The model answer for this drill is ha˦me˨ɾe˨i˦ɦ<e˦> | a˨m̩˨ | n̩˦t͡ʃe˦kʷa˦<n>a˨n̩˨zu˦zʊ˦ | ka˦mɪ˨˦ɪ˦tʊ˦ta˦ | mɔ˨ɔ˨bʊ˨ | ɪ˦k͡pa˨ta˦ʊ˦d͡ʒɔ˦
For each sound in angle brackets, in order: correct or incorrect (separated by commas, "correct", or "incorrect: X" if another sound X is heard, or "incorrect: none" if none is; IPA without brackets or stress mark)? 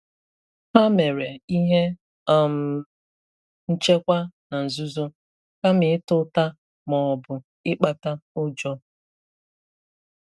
correct, correct